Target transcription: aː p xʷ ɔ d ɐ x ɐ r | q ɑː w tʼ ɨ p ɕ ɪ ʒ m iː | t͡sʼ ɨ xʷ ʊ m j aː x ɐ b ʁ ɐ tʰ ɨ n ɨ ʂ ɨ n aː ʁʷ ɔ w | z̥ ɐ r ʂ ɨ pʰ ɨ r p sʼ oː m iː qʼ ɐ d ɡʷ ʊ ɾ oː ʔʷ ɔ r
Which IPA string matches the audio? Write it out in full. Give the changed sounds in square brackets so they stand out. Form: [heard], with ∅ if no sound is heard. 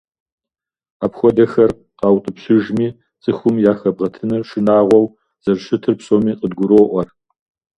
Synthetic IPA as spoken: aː p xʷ ɔ d ɐ x ɐ r | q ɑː w tʼ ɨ p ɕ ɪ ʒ m iː | t͡sʼ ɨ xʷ ʊ m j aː x ɐ b ʁ ɐ tʰ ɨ n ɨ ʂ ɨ n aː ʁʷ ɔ w | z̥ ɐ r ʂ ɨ [tʰ] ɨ r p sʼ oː m iː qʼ [ə] d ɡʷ ʊ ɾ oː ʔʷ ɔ r